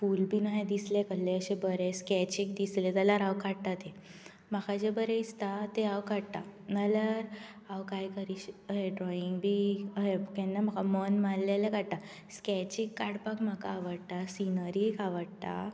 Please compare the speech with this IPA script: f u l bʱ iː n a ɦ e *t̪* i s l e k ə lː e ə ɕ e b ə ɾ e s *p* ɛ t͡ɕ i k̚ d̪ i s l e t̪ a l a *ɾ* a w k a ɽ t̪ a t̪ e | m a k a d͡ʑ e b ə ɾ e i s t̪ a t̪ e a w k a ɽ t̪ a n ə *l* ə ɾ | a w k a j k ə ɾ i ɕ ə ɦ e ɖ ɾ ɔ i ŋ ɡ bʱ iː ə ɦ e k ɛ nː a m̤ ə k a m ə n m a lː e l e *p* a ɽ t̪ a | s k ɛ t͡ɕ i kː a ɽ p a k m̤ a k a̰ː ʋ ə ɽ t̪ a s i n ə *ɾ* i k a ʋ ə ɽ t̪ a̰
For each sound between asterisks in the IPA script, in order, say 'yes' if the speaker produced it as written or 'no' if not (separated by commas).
no, no, yes, yes, no, yes